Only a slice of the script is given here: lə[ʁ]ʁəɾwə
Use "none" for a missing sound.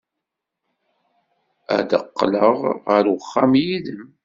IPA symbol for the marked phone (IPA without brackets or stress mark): ʁ